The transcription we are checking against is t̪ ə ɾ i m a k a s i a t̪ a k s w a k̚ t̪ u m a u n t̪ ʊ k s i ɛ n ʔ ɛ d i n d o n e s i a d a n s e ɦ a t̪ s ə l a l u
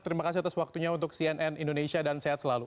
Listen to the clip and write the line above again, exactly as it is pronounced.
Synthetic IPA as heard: t̪ ə ɾ i m a k a s i a t̪ a s w a k̚ t̪ u ɲ a u n t̪ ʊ k s i ɛ n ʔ ɛ n i n d o n e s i a d a n s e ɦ a t̪ s ə l a l u